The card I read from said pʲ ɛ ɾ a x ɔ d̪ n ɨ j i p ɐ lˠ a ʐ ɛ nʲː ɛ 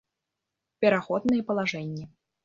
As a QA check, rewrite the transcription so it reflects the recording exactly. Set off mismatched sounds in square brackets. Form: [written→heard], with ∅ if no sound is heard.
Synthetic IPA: pʲ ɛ ɾ a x ɔ d̪ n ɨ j [i→ɛ] p ɐ lˠ a ʐ ɛ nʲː ɛ